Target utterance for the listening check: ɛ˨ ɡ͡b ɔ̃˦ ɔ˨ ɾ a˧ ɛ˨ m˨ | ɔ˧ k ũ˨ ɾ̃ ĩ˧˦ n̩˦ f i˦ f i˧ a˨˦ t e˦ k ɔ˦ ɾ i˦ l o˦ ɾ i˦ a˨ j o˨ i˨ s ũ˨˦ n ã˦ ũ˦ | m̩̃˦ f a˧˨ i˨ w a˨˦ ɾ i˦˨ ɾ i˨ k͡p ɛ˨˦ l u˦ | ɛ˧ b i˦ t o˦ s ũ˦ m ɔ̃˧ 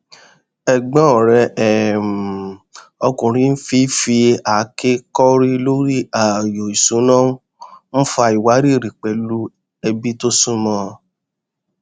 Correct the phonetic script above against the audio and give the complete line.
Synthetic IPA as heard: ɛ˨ ɡ͡b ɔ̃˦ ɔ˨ ɾ ɛ˧ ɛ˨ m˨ | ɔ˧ k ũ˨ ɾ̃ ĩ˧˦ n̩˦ f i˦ f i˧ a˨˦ k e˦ k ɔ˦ ɾ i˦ l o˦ ɾ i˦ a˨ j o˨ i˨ s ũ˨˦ n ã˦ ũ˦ | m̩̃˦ f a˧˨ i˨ w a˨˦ ɾ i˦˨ ɾ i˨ k͡p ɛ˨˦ l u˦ | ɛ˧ b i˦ t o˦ s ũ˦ m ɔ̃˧